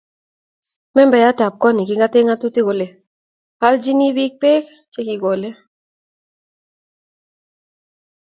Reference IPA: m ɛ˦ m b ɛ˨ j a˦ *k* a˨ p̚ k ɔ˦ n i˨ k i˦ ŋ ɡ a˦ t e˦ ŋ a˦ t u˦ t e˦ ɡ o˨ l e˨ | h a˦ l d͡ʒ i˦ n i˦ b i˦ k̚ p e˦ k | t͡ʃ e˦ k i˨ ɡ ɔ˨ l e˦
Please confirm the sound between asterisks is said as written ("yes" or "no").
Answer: no